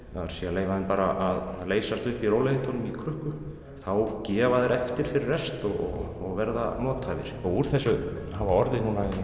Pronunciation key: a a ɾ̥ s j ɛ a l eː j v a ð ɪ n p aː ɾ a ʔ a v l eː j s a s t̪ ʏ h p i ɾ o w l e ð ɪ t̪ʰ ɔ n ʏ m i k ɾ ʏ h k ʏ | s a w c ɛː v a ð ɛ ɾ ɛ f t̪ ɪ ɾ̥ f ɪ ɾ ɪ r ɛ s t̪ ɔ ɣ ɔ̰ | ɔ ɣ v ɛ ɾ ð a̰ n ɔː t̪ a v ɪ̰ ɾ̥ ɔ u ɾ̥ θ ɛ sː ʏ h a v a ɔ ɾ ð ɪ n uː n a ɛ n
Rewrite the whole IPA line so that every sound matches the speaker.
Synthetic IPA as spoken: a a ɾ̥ s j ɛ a l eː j v a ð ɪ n p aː ɾ a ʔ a ð l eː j s a s t̪ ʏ h p i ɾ o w l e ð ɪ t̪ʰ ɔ n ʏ m i kʰ ɾ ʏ h k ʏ | θ a w c ɛː v a ð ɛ ɾ ɛ f t̪ ɪ ɾ̥ f ɪ ɾ ɪ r ɛ s t̪ ɔ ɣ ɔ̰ | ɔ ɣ v ɛ ɾ ð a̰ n ɔː t̪ a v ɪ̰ ɾ̥ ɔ u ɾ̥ θ ɛ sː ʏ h a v a ɔ ɾ ð ɪ n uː n a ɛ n